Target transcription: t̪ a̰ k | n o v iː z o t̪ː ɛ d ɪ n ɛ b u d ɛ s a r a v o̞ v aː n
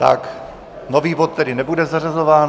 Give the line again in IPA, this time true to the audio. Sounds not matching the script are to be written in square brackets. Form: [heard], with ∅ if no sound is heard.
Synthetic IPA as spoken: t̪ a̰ k | n o v iː [v] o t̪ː ɛ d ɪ n ɛ b u d ɛ [z] a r a [z] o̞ v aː n